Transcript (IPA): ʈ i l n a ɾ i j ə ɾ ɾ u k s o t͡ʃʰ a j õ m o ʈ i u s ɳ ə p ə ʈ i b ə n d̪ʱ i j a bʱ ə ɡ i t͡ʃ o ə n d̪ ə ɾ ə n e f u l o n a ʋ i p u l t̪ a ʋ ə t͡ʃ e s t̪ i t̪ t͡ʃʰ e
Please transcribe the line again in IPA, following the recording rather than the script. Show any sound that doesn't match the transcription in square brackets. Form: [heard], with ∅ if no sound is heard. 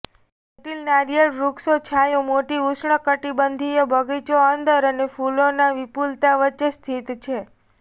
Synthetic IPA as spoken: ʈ i l n a ɾ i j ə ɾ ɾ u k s o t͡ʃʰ a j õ m o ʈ i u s ɳ ə [k] ə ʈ i b ə n d̪ʱ i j [ə] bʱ ə ɡ i t͡ʃ o ə n d̪ ə ɾ ə n e f u l o n a ʋ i p u l t̪ a ʋ ə t͡ʃ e s [t̪ʰ] i t̪ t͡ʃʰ e